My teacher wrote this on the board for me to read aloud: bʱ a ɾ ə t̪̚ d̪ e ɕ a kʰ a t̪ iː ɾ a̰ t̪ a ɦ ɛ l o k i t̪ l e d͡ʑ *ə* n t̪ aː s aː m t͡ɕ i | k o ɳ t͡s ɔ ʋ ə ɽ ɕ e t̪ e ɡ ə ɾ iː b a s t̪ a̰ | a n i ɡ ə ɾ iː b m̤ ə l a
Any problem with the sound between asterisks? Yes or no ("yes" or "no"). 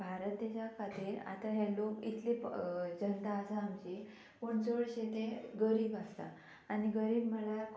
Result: no